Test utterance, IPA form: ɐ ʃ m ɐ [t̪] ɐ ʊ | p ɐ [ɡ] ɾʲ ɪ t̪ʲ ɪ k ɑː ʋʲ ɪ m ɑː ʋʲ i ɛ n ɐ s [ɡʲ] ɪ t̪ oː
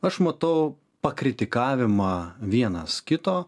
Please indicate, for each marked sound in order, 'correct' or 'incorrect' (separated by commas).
correct, incorrect, incorrect